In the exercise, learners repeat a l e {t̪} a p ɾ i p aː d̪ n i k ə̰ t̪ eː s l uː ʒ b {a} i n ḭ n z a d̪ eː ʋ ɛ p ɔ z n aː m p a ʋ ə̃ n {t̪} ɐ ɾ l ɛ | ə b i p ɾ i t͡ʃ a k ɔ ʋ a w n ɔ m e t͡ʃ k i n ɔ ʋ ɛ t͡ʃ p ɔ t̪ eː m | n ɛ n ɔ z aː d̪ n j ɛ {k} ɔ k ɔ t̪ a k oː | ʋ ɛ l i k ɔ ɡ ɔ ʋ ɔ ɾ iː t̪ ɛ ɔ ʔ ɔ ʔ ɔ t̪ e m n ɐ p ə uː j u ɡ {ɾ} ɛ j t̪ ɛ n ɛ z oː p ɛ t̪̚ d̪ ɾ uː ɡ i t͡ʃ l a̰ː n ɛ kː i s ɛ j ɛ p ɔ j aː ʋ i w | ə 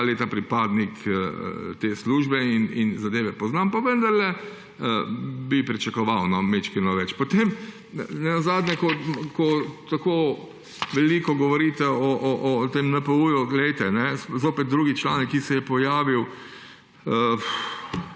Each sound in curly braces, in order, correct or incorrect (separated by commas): correct, incorrect, incorrect, correct, incorrect